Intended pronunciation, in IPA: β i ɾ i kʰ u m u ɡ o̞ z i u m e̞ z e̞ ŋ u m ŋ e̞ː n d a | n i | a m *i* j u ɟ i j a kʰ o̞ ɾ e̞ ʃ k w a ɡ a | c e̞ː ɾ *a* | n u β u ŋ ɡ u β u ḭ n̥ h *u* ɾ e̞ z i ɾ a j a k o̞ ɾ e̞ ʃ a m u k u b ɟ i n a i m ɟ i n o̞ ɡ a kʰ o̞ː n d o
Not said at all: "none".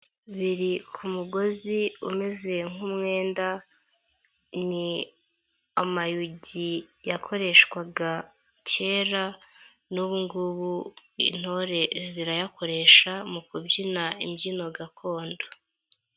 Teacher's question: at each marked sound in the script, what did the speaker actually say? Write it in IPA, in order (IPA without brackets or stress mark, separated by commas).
a, a, o